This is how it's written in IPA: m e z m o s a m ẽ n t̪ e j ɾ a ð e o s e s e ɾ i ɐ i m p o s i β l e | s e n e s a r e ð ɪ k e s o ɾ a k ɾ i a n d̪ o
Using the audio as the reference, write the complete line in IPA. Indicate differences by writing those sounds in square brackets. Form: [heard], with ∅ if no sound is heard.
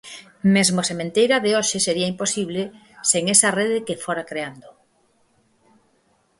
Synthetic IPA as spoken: m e z m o s [e] m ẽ n t̪ e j ɾ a ð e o [ʃ] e s e ɾ i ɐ i m p o s i β l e | s e [ŋ] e s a r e ð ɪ k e [f] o ɾ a k ɾ [e] a n d̪ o